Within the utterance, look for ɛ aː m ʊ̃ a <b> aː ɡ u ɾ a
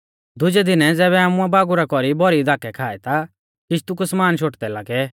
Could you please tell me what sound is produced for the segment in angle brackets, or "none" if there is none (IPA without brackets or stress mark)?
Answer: b